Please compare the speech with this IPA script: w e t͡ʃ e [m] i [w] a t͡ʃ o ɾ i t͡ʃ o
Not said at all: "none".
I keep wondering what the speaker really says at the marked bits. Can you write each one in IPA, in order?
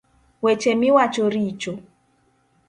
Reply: m, w

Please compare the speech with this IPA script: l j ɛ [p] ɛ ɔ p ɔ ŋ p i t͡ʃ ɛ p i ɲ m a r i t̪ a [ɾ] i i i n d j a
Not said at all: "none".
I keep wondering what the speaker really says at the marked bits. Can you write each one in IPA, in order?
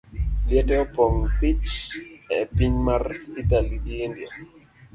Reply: t, l

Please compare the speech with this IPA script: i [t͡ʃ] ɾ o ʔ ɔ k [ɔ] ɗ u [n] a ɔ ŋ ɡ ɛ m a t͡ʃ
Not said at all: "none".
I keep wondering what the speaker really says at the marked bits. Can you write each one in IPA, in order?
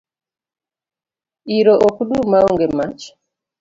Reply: none, u, m

